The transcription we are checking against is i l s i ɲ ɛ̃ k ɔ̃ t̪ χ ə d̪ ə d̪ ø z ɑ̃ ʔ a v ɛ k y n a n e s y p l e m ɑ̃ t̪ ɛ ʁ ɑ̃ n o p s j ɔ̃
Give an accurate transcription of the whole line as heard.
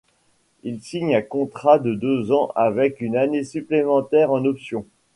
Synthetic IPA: i l s i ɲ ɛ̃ k ɔ̃ t̪ χ a d̪ ə d̪ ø z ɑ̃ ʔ a v ɛ k y n a n e s y p l e m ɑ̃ t̪ ɛ ʁ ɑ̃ n ɔ p s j ɔ̃

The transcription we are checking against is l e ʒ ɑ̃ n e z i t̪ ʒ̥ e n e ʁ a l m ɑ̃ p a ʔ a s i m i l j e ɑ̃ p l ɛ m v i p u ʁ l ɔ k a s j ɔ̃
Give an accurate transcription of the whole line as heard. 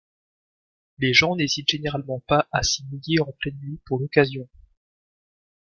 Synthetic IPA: l e ʒ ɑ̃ n e z i t̪ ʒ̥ e n e ʁ a l m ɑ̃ p a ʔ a s i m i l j e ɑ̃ p l ɛ n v i p u ʁ l ɔ k a z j ɔ̃

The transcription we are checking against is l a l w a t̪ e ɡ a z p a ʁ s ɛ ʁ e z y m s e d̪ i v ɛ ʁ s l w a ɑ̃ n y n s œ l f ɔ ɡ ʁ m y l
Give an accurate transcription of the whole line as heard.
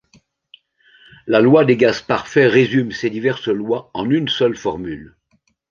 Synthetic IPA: l a l w a d̪ e ɡ a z p a ʁ f ɛ ʁ e z y m s e d̪ i v ɛ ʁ s l w a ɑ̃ n y n s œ l f ɔ ʁ m y l

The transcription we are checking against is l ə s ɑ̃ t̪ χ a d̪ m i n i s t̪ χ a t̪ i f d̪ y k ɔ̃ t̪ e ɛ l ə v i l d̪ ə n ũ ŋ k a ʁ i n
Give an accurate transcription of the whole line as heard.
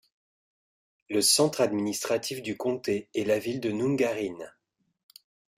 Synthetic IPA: l ə s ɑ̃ t̪ χ a d̪ m i n i s t̪ χ a t̪ i f d̪ y k ɔ̃ t̪ e ɛ l a v i l d̪ ə n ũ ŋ ɡ a ʁ i n

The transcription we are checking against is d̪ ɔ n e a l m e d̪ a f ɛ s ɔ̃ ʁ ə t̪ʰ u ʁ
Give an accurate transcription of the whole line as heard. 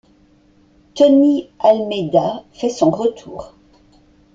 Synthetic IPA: t̪ ɔ n i a l m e d̪ a f ɛ s ɔ̃ ʁ ə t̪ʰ uː ʁ

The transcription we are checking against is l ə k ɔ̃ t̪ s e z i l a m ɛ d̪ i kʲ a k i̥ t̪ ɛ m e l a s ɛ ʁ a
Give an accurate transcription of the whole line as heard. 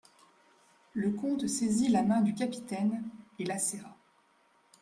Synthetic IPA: l ə k ɔ̃ t̪ s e z i l a m ɛ̃ d̪ y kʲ a p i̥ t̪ ɛ n e l a s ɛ ʁ a

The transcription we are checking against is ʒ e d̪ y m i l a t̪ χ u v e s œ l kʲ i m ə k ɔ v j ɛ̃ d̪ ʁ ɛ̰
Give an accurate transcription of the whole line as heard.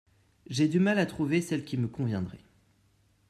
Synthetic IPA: ʒ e d̪ y m a l a t̪ χ u v e s ɛ l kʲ i m ə k ɔ̃ v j ɛ̃ d̪ ʁ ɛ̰

